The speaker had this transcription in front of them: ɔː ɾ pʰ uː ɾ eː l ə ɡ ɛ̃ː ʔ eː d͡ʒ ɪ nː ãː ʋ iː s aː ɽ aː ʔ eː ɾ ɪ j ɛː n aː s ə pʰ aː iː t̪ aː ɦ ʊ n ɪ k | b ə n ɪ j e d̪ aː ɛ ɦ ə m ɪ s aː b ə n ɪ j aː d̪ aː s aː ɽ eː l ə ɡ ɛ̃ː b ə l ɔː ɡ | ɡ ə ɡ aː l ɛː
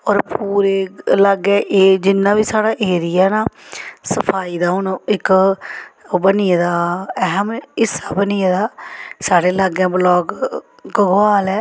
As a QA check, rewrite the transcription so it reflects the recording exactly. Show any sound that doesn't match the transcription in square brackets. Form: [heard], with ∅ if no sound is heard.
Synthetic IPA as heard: ɔː ɾ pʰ uː ɾ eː l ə ɡ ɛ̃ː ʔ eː d͡ʒ ɪ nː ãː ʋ iː s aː ɽ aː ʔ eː ɾ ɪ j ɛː n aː s ə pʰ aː iː [d̪] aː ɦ ʊ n ɪ k | b ə n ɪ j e d̪ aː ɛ ɦ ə m ɪ s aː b ə n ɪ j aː d̪ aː s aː ɽ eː l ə ɡ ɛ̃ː b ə l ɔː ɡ | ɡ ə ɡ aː l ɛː